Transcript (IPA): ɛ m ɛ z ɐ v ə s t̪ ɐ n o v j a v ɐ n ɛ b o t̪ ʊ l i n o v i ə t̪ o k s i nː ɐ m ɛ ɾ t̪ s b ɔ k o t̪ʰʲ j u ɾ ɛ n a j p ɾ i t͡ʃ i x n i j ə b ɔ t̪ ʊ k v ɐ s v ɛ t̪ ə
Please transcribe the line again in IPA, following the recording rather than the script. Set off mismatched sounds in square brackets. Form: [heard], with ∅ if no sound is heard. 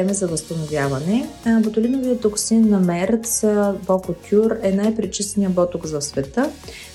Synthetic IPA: ɛ m ɛ z ɐ v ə s t̪ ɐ n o v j a v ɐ n ɛ b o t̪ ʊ l i n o v i ə t̪ o k s i nː ɐ m ɛ ɾ t̪ s b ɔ k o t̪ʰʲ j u ɾ ɛ n a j p ɾ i t͡ʃ i [s] n i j ə b ɔ t̪ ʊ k [z] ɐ s v ɛ t̪ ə